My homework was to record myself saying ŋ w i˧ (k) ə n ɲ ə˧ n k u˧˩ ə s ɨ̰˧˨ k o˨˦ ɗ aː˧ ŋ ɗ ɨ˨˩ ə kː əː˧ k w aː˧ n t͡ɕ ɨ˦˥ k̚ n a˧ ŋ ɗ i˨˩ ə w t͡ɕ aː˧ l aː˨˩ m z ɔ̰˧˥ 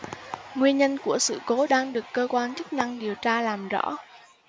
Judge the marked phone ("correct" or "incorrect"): incorrect